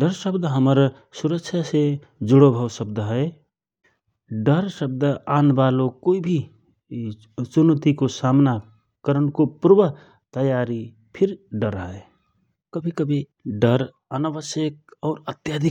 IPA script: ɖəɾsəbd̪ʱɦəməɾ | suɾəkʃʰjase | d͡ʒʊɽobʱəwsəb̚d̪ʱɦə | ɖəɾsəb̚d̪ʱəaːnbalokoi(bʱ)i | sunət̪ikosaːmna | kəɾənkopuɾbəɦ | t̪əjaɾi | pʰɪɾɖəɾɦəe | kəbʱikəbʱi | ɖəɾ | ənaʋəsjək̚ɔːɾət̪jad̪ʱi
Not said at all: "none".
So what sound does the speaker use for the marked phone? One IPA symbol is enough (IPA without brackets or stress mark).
bʱ